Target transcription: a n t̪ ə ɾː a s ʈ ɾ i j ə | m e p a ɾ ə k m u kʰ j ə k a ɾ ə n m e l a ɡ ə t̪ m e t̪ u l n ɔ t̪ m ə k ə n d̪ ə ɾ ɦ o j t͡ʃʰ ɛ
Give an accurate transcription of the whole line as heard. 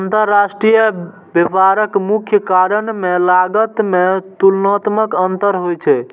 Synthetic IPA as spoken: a n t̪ ə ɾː a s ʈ ɾ i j ə | b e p a ɾ ə k m u kʰ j ə k a ɾ ə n m e l a ɡ ə t̪ m e t̪ u l n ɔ t̪ m ə k ə n t̪ ə ɾ ɦ o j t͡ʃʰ ɛ